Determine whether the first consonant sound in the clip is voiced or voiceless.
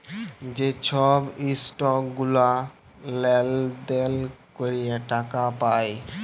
voiced